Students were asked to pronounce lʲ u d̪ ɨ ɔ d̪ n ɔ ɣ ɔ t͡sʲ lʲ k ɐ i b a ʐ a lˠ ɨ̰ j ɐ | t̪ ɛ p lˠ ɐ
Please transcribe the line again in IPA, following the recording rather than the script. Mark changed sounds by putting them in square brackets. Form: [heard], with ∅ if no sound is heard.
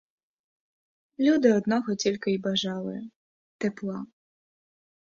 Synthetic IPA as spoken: lʲ u d̪ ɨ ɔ d̪ n ɔ ɣ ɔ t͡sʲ lʲ k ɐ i b a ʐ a lˠ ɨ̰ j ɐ | t̪ ɛ p lˠ [a]